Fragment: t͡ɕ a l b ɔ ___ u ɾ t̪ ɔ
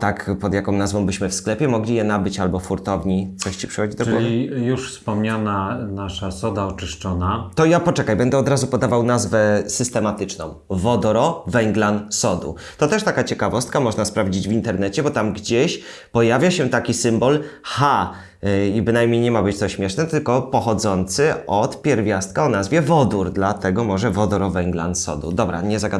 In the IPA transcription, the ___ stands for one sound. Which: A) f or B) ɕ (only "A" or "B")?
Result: A